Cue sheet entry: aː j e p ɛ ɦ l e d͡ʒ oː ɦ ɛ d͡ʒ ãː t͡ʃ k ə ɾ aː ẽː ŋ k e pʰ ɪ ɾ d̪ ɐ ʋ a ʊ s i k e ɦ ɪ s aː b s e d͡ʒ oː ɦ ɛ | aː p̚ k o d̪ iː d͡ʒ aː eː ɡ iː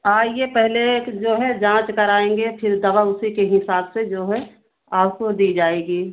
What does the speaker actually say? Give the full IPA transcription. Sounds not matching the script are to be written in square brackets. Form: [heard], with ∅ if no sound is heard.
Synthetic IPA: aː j e p ɛ ɦ l e d͡ʒ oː ɦ ɛ d͡ʒ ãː t͡ʃ k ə ɾ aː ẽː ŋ [ɡ] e pʰ ɪ ɾ d̪ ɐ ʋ a ʊ s i k e ɦ ɪ s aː b s e d͡ʒ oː ɦ ɛ | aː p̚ k o d̪ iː d͡ʒ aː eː ɡ iː